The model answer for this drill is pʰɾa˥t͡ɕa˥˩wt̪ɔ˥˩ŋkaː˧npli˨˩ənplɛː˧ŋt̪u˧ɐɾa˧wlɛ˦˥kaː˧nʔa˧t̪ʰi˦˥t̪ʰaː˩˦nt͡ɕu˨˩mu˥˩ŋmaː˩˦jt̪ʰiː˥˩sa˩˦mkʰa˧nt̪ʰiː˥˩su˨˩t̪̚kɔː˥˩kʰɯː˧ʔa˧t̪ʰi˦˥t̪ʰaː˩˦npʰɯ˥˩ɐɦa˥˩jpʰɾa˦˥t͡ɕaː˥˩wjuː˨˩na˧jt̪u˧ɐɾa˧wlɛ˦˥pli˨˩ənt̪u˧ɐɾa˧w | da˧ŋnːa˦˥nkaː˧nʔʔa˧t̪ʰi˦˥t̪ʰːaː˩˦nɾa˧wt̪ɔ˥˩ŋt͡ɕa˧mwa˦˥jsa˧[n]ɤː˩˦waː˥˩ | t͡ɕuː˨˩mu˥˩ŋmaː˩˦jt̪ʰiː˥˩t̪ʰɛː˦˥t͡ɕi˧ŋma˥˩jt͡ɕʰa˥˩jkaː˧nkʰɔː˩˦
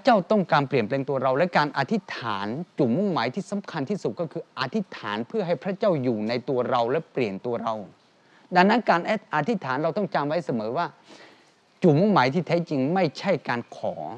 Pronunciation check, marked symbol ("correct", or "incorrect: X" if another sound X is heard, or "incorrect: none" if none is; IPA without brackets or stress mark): incorrect: m